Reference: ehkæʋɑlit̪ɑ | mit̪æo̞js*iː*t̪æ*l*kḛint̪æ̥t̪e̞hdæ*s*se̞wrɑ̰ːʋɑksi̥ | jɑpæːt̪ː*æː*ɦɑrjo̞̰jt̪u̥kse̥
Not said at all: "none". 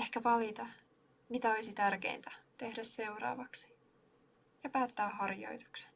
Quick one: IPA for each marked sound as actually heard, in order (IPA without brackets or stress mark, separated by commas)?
i, r, s, æː